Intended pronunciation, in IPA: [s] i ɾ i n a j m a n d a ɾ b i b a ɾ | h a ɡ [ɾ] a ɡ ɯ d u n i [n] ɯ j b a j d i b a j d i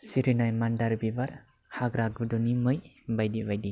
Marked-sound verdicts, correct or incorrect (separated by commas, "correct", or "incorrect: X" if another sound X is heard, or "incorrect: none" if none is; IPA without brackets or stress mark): correct, correct, incorrect: m